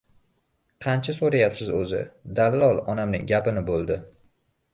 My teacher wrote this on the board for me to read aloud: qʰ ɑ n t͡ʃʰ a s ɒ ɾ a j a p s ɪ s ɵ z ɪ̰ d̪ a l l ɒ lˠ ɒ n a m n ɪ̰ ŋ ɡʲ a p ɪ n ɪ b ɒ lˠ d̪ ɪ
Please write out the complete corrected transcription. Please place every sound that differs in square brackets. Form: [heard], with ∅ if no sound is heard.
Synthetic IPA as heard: qʰ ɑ n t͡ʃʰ a s [o] ɾ a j a p s ɪ [z] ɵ z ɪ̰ d̪ a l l ɒ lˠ ɒ n a m n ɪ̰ ŋ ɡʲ a p ɪ n ɪ b [o] lˠ d̪ ɪ